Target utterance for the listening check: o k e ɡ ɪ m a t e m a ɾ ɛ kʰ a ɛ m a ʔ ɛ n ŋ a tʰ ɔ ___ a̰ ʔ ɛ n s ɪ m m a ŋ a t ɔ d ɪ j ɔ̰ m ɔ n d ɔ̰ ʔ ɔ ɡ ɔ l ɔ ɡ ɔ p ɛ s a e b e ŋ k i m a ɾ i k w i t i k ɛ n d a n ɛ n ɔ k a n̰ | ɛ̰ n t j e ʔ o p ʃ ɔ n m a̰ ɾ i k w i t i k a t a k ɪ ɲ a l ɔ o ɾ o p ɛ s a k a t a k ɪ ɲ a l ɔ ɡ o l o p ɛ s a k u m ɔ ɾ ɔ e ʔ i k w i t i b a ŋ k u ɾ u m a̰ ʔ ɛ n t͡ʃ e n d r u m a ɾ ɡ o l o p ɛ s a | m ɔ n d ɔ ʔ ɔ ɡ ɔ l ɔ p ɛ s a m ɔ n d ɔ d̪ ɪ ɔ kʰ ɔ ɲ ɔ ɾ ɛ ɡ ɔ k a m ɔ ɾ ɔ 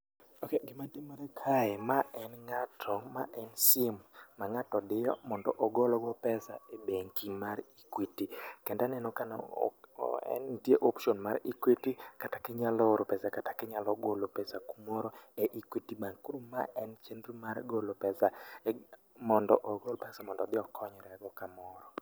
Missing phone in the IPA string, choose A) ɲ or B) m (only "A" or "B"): B